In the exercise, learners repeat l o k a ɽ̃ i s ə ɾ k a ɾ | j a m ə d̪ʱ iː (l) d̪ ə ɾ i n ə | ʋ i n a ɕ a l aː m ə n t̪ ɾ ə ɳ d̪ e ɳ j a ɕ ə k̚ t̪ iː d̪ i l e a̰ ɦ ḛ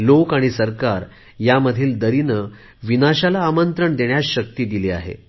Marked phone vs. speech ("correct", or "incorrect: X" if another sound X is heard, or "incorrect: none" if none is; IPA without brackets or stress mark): correct